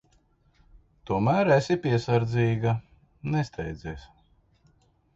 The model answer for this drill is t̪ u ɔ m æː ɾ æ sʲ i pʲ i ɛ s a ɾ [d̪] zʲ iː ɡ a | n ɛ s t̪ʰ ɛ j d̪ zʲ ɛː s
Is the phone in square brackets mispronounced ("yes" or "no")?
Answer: no